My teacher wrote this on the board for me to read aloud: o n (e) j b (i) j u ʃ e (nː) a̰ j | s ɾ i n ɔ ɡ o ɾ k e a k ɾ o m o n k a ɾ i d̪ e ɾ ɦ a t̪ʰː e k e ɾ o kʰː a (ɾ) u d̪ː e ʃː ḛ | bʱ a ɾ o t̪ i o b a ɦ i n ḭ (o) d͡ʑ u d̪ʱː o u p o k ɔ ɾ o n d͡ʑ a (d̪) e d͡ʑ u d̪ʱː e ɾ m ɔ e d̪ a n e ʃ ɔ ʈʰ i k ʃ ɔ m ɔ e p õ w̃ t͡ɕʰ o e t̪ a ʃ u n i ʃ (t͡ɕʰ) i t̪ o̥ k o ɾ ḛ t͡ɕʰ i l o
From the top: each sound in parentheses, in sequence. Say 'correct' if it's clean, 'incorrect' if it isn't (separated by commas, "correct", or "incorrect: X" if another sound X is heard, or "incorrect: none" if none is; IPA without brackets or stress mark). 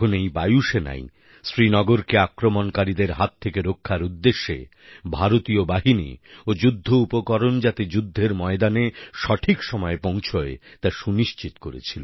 correct, incorrect: a, incorrect: n, correct, correct, incorrect: t̪, incorrect: t͡ɕ